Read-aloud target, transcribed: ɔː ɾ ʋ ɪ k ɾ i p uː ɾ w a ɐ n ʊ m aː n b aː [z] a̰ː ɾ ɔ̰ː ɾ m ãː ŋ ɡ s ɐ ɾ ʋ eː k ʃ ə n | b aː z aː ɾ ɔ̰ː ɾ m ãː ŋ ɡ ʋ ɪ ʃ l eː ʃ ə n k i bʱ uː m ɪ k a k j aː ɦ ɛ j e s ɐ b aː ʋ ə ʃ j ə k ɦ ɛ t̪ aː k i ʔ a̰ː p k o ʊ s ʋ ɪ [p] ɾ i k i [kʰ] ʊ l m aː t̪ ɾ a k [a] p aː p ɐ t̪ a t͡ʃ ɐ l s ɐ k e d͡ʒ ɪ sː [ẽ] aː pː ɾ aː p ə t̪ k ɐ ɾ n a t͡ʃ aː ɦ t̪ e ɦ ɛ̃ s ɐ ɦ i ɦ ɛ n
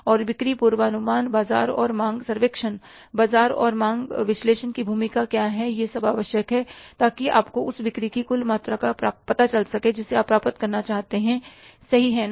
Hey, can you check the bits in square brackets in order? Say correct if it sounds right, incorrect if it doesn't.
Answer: correct, incorrect: k, incorrect: k, correct, incorrect: e

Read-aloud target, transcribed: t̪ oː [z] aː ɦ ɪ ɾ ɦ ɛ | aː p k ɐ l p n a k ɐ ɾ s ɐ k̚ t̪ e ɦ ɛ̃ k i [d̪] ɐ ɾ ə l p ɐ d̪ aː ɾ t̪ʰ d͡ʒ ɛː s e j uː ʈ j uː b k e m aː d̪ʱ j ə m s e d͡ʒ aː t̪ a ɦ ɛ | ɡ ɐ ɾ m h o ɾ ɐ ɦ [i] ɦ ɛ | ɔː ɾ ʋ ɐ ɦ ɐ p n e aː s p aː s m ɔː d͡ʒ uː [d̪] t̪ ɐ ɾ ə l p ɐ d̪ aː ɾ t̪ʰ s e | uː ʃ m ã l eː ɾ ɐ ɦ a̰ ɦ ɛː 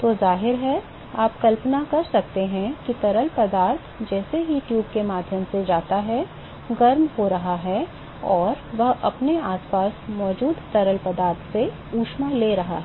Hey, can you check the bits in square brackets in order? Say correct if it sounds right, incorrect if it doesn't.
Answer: correct, incorrect: t̪, incorrect: a, correct

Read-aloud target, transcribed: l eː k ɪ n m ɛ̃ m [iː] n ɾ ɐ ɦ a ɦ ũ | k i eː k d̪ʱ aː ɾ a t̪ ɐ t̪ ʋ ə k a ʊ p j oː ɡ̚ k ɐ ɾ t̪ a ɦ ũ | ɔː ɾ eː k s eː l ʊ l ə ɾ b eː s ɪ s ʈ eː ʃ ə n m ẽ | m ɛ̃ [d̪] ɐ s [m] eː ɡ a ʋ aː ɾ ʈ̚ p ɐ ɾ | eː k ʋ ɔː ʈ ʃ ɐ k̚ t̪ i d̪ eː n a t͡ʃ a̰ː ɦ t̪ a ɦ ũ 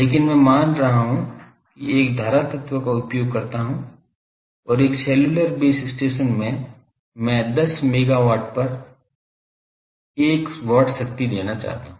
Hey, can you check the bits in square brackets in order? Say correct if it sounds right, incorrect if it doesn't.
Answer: incorrect: aː, correct, correct

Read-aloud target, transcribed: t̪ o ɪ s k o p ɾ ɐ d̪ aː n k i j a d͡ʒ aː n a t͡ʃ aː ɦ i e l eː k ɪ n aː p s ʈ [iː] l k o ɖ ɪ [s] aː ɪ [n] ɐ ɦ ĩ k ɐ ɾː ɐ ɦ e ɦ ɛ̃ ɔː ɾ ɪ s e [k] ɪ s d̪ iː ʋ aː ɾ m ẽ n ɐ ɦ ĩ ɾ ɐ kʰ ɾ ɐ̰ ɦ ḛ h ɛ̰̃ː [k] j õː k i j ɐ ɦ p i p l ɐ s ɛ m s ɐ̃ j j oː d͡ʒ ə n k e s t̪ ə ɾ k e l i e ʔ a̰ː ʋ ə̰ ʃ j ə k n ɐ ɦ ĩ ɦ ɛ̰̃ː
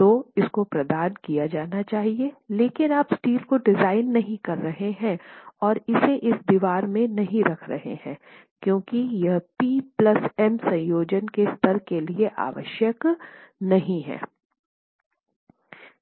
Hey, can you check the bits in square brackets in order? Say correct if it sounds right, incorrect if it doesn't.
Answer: correct, incorrect: z, incorrect: nː, incorrect: ʔ, correct

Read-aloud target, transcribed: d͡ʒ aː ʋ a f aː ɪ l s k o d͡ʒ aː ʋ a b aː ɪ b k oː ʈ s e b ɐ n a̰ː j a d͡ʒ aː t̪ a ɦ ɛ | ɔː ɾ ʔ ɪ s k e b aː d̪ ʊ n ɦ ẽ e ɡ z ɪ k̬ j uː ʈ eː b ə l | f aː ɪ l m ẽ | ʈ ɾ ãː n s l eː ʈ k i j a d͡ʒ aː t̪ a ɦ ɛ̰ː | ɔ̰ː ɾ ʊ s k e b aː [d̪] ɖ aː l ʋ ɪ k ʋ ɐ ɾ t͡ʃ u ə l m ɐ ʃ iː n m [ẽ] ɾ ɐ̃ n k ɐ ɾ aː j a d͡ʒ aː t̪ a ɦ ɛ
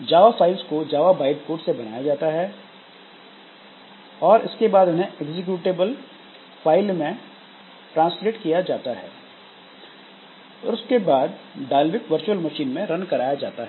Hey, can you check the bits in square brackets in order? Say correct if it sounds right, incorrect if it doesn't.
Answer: correct, correct

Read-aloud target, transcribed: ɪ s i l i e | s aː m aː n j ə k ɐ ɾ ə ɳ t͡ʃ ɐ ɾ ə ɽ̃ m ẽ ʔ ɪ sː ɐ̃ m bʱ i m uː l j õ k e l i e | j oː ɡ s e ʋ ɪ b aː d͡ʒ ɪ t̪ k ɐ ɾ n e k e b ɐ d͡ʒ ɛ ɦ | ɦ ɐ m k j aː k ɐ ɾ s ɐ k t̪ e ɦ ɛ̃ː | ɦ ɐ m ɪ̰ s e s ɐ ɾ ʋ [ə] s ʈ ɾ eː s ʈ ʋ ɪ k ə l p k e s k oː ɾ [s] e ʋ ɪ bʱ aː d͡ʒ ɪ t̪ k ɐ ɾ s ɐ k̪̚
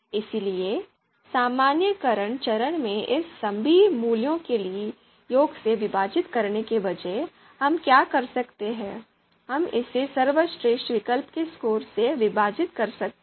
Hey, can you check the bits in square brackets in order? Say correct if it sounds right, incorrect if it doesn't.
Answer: correct, correct

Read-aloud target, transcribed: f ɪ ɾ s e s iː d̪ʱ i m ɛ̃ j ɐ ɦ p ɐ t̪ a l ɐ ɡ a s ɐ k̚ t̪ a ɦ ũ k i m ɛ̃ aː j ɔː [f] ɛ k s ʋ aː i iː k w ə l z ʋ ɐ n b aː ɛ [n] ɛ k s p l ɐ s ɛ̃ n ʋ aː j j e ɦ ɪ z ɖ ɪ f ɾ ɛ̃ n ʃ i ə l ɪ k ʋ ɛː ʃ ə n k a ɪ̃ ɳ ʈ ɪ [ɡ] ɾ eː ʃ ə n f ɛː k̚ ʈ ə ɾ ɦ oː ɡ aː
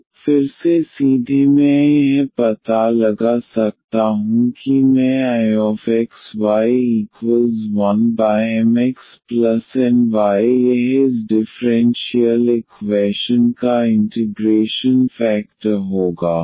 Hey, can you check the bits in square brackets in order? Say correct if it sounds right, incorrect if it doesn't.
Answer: correct, incorrect: m, correct

